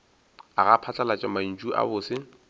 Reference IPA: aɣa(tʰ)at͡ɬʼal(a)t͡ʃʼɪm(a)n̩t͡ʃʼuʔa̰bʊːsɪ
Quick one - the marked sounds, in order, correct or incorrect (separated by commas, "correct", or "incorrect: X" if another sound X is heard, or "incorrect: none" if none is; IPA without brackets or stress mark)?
incorrect: pʰ, correct, correct